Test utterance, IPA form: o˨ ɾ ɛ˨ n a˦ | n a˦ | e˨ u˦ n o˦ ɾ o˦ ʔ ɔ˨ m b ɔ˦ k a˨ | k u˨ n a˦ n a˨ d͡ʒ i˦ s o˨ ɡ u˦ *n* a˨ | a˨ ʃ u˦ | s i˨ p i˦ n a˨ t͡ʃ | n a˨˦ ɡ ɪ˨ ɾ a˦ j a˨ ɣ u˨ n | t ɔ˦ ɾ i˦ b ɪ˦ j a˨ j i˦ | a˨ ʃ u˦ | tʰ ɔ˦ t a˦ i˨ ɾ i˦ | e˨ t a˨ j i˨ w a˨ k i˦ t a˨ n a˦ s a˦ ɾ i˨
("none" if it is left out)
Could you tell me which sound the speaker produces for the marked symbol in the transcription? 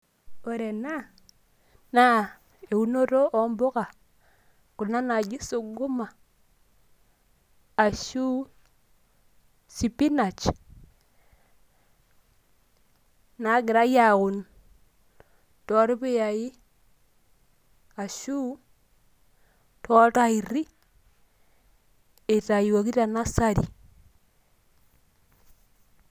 m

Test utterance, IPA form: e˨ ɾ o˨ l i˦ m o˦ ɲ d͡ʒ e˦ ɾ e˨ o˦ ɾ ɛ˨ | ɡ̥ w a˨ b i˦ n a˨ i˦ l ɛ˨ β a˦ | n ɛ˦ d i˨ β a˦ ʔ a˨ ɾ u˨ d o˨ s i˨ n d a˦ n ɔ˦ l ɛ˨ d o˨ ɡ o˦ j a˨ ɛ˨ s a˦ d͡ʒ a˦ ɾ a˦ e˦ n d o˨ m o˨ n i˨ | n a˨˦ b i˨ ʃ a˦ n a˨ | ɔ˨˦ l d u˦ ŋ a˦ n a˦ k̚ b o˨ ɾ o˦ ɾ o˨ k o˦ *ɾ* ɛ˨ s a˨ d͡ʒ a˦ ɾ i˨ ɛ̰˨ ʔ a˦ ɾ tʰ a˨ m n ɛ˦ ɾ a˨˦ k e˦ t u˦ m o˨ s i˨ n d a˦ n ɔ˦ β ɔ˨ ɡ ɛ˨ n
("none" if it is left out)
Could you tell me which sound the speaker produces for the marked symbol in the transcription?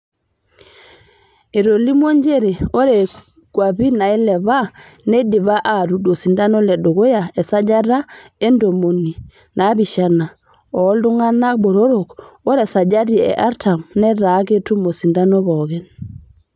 ɾ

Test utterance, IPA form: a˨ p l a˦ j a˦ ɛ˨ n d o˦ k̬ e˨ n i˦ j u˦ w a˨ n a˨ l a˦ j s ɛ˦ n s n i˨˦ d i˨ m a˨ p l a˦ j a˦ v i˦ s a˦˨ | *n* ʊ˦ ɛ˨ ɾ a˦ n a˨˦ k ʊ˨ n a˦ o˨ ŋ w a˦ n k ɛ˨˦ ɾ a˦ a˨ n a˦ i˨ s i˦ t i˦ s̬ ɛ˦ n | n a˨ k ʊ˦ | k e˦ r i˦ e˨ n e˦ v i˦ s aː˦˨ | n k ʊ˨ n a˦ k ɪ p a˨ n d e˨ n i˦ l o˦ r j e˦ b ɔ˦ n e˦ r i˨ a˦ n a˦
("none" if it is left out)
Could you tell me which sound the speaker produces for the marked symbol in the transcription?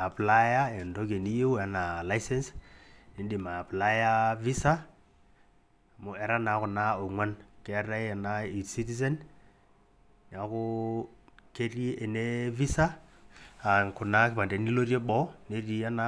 m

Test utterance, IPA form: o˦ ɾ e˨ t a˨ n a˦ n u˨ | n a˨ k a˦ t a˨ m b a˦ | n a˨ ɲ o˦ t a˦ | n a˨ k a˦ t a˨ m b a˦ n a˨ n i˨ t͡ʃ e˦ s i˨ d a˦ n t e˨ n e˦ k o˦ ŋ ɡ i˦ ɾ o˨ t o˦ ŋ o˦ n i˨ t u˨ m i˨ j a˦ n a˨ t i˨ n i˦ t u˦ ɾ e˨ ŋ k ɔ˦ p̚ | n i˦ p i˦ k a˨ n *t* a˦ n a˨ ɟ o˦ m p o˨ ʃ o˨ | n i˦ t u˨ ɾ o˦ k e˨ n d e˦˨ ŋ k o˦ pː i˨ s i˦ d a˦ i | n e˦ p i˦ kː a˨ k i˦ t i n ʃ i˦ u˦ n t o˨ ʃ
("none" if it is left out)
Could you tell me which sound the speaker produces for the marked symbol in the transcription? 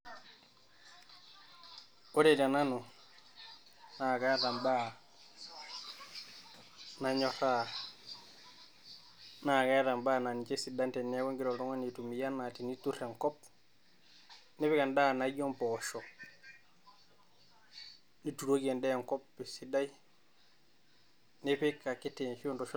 d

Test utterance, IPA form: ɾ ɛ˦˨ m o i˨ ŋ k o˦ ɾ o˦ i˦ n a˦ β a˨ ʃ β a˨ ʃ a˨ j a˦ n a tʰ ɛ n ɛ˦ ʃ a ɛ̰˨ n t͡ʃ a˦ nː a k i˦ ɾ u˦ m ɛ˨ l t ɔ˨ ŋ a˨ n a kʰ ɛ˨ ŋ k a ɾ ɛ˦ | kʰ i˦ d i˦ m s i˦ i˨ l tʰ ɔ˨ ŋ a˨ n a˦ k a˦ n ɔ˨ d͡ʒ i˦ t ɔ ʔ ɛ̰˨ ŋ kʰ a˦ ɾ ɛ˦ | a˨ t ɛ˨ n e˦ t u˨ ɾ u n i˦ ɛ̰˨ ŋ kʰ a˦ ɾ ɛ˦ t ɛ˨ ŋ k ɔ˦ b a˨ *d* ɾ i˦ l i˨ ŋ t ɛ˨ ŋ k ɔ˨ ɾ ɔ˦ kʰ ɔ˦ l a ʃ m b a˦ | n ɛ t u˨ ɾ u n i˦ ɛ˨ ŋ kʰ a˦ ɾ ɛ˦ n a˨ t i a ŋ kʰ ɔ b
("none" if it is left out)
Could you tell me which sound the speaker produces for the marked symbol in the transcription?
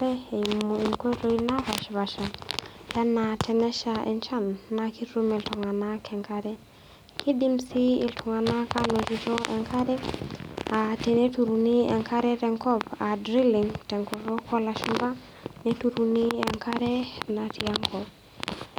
d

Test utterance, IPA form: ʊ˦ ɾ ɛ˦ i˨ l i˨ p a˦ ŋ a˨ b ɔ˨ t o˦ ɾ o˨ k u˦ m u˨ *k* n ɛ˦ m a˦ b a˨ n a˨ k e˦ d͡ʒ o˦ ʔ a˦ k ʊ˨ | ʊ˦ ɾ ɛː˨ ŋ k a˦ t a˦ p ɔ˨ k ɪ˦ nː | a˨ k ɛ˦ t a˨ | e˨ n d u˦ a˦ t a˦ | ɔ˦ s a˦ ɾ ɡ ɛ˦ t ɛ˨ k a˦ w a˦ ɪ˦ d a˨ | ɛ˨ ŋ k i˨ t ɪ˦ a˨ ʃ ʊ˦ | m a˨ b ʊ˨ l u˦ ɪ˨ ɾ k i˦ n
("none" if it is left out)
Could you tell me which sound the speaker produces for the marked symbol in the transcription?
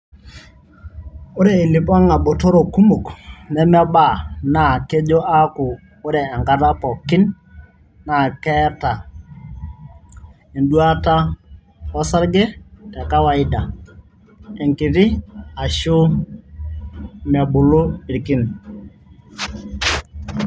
k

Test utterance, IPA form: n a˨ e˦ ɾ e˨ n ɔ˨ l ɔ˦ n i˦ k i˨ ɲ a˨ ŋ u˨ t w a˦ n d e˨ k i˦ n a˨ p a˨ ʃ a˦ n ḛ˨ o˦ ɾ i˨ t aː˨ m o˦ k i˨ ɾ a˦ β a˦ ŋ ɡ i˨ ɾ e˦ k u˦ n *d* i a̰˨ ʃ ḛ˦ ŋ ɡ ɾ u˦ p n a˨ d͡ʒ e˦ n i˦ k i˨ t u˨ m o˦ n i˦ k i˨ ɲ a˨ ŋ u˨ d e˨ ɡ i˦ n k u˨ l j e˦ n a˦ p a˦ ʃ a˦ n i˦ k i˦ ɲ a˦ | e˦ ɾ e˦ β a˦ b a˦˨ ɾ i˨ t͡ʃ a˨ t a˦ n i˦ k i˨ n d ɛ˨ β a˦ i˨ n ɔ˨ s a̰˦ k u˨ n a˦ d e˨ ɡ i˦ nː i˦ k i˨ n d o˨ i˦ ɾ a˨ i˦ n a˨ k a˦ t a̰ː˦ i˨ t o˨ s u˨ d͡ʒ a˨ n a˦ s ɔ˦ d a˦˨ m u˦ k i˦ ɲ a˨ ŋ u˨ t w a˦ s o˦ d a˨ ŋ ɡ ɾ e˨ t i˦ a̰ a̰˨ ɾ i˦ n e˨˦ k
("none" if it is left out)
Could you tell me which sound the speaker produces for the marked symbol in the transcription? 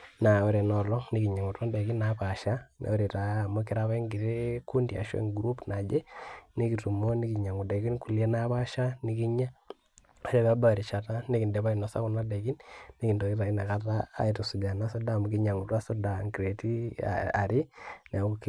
d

